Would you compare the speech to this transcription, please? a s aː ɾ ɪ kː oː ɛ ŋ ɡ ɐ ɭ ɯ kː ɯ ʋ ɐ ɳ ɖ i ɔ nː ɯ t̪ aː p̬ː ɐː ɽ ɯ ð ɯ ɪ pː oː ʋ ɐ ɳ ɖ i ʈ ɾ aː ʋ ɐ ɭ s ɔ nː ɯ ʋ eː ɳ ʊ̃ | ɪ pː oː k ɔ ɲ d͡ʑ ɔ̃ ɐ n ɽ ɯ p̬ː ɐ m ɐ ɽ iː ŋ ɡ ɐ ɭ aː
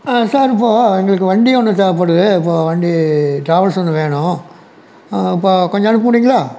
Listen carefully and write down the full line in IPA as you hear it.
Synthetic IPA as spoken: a s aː ɾ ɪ pː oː ɛ ŋ ɡ ɐ ɭ ɯ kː ɯ ʋ ɐ ɳ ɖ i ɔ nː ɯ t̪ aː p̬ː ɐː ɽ ɯ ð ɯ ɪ pː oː ʋ ɐ ɳ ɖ i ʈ ɾ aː ʋ ɐ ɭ s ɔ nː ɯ ʋ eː ɳ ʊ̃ | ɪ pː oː k ɔ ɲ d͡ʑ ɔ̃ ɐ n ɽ ɯ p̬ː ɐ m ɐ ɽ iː ŋ ɡ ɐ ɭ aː

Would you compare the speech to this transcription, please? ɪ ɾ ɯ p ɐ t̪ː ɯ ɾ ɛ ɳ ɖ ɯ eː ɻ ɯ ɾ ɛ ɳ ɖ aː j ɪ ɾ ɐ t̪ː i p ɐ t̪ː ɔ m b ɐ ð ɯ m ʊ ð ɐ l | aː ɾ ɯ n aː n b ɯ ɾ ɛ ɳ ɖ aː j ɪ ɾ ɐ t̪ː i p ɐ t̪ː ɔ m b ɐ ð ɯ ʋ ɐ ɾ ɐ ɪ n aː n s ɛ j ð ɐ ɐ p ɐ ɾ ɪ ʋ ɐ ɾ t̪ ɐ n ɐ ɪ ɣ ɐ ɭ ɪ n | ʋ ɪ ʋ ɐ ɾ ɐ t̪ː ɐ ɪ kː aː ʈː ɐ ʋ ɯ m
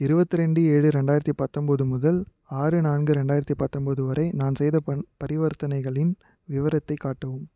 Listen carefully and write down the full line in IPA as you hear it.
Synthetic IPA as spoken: ɪ ɾ ɯ b ɐ t̪ː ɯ ɾ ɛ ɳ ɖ ɯ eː ɻ ɯ ɾ ɛ ɳ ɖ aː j ɪ ɾ ɐ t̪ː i p ɐ t̪ː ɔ m b ɐ ð ɯ m ʊ ð ɐ l | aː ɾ ɯ n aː n ɡ ɯ ɾ ɛ ɳ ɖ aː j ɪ ɾ ɐ t̪ː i p ɐ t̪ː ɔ m b ɐ ð ɯ ʋ ɐ ɾ ɐ ɪ n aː n s ɛ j ð ɐ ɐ p ɐ ɾ ɪ ʋ ɐ ɾ t̪ ɐ n ɐ ɪ ɣ ɐ ɭ ɪ n | ʋ ɪ ʋ ɐ ɾ ɐ t̪ː ɐ ɪ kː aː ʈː ɐ ʋ ɯ m

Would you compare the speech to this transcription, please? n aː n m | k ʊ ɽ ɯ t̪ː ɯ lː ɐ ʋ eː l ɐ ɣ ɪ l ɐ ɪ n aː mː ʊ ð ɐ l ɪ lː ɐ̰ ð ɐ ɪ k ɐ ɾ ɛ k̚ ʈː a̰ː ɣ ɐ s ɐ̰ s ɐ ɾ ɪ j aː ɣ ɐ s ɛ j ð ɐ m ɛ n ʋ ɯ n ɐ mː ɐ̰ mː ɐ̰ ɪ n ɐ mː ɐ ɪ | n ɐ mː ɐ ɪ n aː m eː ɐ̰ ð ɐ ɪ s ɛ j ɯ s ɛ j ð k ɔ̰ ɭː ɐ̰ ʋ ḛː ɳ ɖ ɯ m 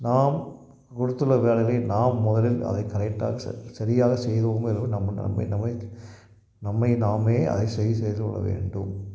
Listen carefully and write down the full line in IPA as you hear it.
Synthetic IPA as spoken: n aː m | k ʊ ɽ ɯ t̪ː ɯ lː ɐ ʋ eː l ɐ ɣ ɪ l ɐ ɪ n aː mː ʊ ð ɐ l ɪ l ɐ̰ ð ɐ ɪ k ɐ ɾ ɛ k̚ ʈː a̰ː ɣ ɐ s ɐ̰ s ɐ ɾ ɪ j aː ɣ ɐ s ɛ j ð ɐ m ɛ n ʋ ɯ n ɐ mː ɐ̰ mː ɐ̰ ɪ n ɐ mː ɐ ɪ | n ɐ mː ɐ ɪ n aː m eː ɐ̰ ð ɐ ɪ s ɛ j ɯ s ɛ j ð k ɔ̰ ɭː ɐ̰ ʋ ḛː ɳ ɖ ɯ m

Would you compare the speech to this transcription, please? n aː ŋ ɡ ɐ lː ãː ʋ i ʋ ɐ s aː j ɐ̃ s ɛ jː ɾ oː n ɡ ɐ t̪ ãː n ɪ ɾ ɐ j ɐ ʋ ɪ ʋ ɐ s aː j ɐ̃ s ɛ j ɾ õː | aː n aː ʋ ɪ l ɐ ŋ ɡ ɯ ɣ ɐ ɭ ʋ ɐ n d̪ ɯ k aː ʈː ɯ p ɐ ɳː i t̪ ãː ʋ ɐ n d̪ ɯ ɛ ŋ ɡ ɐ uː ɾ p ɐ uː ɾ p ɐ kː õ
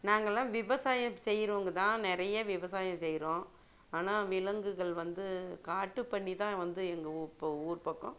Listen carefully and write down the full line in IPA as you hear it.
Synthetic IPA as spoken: n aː ŋ ɡ ɐ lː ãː ʋ ɪ ʋ ɐ s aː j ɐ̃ s ɛ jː ɾ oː ŋ ɡ ɐ t̪ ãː n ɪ ɾ ɐ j ɐ ʋ ɪ ʋ ɐ s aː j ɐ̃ s ɛ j ɾ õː | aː n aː ʋ ɪ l ɐ ŋ ɡ ɯ ɣ ɐ ɭ ʋ ɐ n d̪ ɯ k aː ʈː ɯ p ɐ ɳː i t̪ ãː ʋ ɐ n d̪ ɯ ɛ ŋ ɡ ɐ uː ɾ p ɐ uː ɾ p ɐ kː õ

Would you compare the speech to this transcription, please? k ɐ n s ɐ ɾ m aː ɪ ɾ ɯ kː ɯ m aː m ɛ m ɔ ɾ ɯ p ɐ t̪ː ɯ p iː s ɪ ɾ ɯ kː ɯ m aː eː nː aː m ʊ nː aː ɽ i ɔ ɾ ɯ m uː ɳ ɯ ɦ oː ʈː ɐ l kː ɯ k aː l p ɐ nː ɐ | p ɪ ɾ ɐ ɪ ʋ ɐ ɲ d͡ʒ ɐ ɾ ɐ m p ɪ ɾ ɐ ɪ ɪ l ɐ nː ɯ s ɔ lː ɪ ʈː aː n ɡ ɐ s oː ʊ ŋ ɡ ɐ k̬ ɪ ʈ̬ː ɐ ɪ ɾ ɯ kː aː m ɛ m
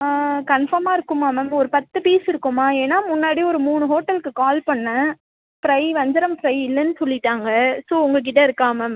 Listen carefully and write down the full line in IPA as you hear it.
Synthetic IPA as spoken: k ɐ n f ɐ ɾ m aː ɪ ɾ ɯ kː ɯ m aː m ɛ m ɔ ɾ ɯ p ɐ t̪ː ɯ p iː s ɪ ɾ ɯ kː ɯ m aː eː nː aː m ʊ nː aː ɽ i ɔ ɾ ɯ m uː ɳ ɯ ɦ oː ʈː ɐ l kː ɯ k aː l p ɐ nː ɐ | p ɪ ɾ ɐ ɪ ʋ ɐ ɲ d͡ʒ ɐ ɾ ɐ m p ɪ ɾ ɐ ɪ ɪ lː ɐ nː ɯ s ɔ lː ɪ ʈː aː ŋ ɡ ɐ s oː ʊ ŋ ɡ ɐ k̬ ɪ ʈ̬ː ɐ ɪ ɾ ɯ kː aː m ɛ m

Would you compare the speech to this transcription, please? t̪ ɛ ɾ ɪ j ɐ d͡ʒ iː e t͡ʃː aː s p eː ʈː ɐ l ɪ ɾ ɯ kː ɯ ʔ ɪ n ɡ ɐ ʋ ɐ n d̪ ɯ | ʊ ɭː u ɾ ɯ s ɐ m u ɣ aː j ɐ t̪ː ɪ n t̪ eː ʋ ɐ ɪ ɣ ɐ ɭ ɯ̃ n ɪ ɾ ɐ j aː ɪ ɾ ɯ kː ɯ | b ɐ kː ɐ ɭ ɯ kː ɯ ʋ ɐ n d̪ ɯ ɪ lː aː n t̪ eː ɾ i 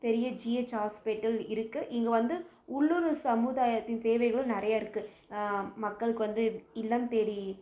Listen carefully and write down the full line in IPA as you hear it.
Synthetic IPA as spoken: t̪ ɛ ɾ ɪ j ɐ d͡ʒ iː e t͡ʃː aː s p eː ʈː ɐ l ɪ ɾ ɯ kː ɯ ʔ ɪ ŋ ɡ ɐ ʋ ɐ n d̪ ɯ | ʊ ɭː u ɾ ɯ s ɐ m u ð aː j ɐ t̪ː ɪ n t̪ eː ʋ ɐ ɪ ɣ ɐ ɭ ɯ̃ n ɪ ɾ ɐ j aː ɪ ɾ ɯ kː ɯ | m ɐ kː ɐ ɭ ɯ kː ɯ ʋ ɐ n d̪ ɯ ɪ lː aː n t̪ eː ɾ i

